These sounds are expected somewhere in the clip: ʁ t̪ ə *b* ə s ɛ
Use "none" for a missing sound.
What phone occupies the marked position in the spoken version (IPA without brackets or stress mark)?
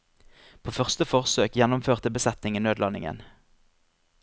b